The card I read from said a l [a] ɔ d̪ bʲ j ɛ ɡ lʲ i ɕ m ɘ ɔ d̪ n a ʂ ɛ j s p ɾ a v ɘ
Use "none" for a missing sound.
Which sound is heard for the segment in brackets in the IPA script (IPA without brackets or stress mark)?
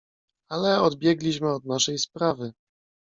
ɛ